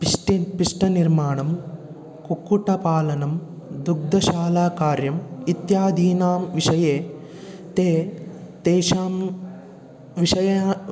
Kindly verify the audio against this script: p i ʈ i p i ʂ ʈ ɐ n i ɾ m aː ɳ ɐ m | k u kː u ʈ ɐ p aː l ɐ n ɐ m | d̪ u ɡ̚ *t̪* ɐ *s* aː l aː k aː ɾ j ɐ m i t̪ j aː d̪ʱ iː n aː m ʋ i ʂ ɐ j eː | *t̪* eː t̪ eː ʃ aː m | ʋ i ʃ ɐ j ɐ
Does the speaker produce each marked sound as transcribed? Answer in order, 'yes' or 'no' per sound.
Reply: no, no, yes

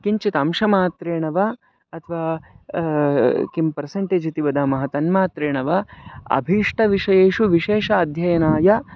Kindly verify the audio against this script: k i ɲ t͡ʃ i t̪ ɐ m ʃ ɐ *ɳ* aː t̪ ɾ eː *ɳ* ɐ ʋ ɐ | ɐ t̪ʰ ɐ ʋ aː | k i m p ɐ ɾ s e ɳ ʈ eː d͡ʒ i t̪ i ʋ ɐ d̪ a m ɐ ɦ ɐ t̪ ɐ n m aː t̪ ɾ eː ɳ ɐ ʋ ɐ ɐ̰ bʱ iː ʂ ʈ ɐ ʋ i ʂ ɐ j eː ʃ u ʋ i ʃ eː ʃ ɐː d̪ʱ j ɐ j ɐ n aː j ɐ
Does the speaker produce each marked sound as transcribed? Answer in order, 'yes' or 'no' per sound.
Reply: no, yes

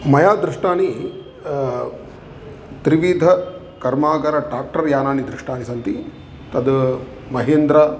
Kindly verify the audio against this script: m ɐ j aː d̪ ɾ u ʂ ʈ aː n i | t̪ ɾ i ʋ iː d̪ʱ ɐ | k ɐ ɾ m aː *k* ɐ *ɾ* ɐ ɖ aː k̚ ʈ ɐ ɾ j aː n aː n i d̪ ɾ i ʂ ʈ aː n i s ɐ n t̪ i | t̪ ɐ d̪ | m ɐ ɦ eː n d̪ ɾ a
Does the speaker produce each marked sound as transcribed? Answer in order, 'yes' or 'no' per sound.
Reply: no, yes

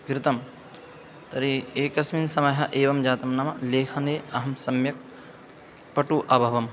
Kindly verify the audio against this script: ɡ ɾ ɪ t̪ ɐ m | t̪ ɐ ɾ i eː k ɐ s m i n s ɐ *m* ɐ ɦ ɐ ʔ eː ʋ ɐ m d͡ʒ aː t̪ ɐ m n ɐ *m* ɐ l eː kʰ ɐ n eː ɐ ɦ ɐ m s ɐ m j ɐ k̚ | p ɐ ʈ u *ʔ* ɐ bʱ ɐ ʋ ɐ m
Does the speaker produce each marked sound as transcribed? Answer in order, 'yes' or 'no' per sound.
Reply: yes, yes, yes

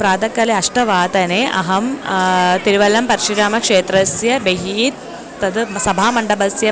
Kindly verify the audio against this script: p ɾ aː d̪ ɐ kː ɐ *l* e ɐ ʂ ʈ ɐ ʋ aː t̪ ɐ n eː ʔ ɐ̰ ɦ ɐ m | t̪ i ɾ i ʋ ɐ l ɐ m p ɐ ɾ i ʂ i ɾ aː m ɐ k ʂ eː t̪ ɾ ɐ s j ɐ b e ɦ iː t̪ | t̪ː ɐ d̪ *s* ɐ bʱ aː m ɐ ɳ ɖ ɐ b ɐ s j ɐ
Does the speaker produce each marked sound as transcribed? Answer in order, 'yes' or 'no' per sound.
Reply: yes, yes

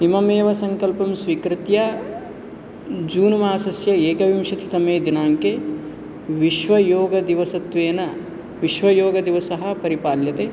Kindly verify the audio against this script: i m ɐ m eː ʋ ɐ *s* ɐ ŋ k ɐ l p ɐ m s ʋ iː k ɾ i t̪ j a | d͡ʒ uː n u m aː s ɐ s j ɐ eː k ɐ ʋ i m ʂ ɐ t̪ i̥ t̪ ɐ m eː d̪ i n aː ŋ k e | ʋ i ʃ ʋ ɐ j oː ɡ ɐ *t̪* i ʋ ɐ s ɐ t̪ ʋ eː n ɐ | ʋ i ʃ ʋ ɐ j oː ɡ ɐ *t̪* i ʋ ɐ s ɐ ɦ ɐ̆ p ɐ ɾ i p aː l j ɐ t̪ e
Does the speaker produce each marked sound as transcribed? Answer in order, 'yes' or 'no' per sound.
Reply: yes, no, no

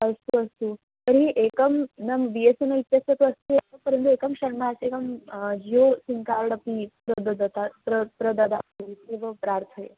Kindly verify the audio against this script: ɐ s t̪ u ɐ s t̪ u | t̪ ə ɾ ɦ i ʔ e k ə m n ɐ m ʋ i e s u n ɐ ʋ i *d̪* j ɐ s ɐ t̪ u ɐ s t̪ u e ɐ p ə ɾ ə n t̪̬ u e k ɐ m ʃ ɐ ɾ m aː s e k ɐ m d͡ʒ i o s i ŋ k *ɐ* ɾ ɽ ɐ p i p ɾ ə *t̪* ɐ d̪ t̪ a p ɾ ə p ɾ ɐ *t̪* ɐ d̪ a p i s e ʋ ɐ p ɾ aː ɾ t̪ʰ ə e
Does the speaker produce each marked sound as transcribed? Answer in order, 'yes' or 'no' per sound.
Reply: no, no, no, no

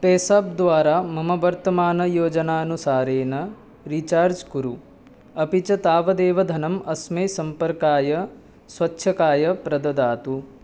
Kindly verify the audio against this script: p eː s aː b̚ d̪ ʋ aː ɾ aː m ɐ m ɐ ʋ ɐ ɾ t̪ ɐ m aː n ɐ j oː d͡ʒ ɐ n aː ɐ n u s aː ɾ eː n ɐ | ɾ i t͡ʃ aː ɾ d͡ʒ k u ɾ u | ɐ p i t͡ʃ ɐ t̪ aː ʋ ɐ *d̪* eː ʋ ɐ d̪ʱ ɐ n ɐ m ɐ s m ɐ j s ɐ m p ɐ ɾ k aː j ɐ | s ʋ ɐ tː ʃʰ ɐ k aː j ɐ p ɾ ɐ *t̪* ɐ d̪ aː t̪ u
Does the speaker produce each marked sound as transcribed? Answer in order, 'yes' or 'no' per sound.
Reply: yes, no

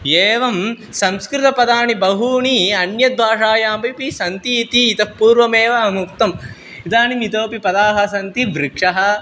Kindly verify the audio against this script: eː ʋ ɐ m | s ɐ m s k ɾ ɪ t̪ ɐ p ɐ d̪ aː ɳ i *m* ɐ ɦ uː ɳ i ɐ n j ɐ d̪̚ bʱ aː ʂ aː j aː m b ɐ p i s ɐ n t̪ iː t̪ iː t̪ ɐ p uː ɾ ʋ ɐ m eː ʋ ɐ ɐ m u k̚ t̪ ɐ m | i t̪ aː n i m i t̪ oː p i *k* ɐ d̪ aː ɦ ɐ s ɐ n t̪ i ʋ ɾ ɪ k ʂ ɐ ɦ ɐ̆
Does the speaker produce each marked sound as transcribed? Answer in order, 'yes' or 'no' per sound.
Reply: no, no

